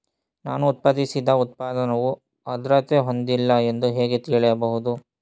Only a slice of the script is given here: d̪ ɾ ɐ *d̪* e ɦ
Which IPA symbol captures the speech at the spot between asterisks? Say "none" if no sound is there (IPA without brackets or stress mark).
t̪